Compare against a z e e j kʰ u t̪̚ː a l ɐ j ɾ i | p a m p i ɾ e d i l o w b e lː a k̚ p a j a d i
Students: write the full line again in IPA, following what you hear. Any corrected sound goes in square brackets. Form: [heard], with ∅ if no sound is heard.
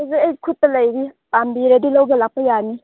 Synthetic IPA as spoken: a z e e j kʰ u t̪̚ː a l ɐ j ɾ i | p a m [b] i ɾ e d i l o w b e [l] a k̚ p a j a [n] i